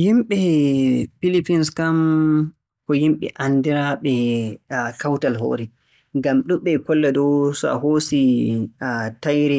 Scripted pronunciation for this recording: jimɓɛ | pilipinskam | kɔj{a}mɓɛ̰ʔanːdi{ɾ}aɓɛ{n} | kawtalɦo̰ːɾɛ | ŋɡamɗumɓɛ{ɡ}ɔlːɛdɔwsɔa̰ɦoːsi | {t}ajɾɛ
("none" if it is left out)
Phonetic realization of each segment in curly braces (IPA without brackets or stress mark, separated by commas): i, ɾ, none, k, t